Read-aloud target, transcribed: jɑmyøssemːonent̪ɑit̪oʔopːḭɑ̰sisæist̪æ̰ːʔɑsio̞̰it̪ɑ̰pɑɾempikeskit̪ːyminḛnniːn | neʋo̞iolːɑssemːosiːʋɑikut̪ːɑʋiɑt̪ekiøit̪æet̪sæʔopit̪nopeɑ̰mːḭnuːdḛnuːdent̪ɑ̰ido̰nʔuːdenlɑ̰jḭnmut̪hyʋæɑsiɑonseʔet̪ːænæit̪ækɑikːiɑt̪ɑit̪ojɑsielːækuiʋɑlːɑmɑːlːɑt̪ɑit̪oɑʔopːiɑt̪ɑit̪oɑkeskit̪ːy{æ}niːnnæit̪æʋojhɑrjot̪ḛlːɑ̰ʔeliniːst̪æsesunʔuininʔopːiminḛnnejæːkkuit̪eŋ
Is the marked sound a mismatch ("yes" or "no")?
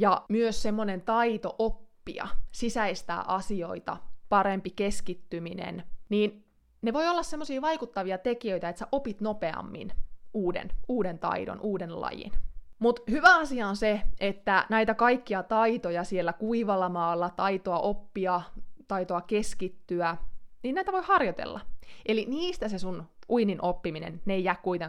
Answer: no